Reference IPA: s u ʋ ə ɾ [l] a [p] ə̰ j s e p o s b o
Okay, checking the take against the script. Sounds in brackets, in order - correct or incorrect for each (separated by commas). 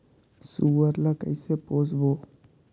correct, incorrect